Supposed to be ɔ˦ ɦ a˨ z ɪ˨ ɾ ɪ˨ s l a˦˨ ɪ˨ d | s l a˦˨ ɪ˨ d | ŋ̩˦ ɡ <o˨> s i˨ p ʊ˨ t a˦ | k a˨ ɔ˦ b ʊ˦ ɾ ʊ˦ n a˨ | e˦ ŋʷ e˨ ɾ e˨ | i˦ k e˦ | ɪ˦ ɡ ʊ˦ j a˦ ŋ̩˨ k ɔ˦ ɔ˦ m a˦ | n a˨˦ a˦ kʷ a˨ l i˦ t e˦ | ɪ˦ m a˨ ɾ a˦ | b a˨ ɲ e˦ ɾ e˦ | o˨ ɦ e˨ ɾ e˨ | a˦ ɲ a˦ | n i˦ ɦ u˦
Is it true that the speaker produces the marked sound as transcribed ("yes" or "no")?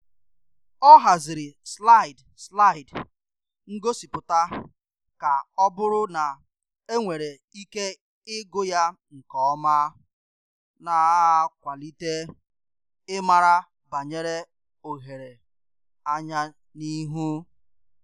no